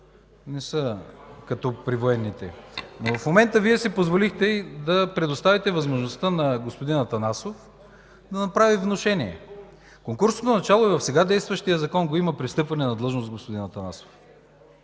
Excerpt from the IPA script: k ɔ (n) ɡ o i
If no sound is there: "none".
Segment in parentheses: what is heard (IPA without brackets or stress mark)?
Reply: n